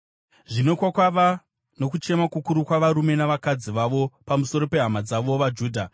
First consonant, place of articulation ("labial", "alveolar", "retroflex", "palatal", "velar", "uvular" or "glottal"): retroflex